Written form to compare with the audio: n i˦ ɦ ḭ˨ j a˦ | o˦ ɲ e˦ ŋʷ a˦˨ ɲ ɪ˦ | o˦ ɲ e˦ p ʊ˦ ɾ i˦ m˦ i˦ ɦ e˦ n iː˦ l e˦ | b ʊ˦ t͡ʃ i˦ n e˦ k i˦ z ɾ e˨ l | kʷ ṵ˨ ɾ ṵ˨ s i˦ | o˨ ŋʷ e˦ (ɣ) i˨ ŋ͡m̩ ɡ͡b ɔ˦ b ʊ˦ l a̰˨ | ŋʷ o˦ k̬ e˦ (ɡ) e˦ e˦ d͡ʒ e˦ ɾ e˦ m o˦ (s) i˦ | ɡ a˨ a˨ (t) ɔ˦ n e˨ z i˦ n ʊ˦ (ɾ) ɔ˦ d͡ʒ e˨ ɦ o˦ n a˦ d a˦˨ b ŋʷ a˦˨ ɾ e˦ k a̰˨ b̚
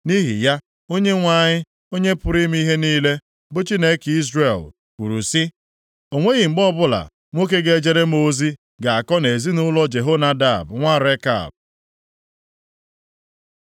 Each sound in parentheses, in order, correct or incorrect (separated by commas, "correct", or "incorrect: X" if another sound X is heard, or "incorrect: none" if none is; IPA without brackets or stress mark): correct, correct, incorrect: z, incorrect: k, incorrect: l